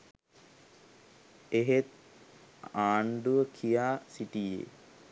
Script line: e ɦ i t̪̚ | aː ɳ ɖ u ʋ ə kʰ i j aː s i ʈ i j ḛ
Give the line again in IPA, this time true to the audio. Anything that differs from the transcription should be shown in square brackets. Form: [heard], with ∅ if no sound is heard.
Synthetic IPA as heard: e ɦ [e] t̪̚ | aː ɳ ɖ u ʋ ə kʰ i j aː s i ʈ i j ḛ